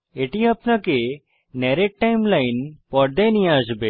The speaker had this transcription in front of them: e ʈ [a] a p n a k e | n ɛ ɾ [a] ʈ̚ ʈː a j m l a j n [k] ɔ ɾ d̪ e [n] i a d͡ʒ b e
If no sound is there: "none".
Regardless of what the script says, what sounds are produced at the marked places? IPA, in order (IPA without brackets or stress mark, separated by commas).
i, e, p, n